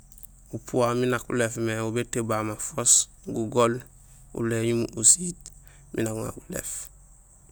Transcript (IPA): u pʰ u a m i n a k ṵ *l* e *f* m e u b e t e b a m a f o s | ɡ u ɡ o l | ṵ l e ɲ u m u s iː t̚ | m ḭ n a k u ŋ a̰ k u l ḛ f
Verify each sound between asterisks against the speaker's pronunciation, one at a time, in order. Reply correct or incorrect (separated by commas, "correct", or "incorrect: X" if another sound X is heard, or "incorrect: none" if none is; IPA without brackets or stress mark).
correct, correct